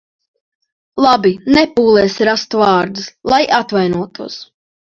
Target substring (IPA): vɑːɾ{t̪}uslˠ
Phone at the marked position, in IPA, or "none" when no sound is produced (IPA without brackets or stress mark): d̪